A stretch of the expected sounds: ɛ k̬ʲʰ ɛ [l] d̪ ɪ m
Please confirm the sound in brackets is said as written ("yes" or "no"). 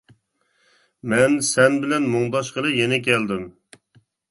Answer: yes